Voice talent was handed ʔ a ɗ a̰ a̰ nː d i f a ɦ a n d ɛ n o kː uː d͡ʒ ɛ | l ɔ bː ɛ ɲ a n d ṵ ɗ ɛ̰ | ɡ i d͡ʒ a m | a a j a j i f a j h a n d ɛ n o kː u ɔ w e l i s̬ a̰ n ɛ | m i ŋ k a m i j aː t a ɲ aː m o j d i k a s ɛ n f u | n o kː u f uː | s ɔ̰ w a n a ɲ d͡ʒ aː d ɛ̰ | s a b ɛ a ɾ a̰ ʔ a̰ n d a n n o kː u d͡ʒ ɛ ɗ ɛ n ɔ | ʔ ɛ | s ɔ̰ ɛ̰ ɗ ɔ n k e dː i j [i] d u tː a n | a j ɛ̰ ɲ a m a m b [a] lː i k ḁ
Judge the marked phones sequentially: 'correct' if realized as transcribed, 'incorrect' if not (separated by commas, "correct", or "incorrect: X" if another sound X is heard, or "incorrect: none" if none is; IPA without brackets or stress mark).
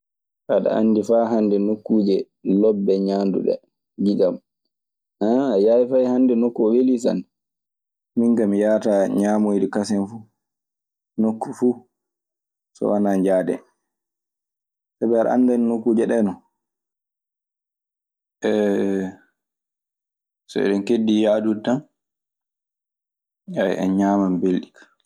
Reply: incorrect: a, incorrect: e